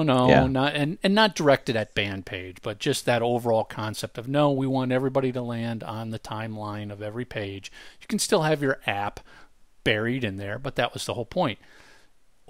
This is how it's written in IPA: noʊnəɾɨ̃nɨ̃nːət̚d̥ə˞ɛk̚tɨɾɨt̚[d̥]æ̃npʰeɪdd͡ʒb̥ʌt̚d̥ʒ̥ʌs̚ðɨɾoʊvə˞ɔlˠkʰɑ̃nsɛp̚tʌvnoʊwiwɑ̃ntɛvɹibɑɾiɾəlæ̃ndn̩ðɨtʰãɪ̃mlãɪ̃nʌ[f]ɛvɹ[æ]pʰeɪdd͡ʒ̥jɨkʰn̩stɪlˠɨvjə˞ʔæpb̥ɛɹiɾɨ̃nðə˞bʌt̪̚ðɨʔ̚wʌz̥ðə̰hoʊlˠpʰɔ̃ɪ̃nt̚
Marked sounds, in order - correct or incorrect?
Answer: incorrect: b̥, incorrect: v, incorrect: i

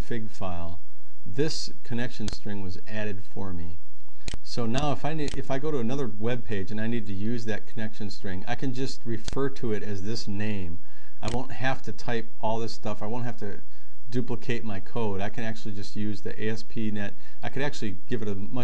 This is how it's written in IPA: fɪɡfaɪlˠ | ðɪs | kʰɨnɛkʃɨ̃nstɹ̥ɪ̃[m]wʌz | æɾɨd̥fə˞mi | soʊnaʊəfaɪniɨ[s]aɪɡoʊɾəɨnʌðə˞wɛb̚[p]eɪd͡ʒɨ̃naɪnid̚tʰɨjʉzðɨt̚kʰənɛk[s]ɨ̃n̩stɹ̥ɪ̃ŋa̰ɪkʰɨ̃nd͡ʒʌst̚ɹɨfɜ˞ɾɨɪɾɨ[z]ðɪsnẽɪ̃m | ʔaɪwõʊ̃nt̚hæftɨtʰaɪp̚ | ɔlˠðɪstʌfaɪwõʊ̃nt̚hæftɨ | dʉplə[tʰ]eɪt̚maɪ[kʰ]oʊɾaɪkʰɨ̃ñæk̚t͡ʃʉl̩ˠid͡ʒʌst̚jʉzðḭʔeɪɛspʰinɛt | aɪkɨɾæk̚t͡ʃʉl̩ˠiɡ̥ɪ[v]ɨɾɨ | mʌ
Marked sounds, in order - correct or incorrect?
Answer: incorrect: ŋ, incorrect: f, incorrect: pʰ, incorrect: ʃ, correct, incorrect: kʰ, correct, correct

